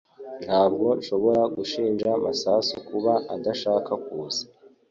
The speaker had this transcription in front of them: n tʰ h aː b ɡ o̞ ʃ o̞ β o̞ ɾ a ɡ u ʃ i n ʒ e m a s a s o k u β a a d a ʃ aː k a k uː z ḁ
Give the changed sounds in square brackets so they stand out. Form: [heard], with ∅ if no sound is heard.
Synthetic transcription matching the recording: n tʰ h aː b ɡ o̞ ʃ o̞ β o̞ ɾ a ɡ u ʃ [iː] n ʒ [a] m a s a s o k u β a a d a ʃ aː k a k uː z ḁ